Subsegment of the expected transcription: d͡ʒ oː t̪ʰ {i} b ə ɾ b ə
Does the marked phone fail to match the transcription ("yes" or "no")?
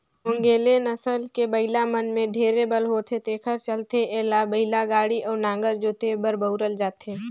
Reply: yes